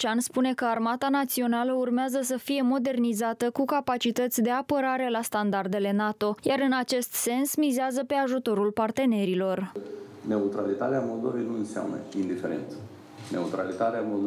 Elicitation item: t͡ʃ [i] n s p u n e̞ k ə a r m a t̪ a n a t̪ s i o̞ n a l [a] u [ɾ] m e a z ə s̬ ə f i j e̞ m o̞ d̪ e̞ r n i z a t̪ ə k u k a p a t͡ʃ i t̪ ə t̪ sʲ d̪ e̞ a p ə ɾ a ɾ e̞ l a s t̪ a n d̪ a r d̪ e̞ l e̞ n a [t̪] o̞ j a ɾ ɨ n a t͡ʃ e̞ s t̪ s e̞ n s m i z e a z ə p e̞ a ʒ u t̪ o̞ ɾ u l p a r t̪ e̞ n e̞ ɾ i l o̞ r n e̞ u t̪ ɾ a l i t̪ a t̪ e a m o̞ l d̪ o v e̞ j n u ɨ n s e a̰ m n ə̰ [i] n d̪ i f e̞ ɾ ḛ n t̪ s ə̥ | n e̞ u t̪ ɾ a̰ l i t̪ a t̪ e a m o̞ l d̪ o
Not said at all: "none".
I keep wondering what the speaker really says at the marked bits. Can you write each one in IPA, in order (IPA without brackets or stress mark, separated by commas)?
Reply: a, ə, r, t̪, i